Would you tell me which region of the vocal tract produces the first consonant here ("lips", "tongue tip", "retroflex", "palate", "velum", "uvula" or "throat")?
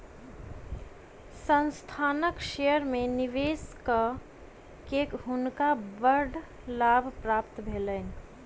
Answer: tongue tip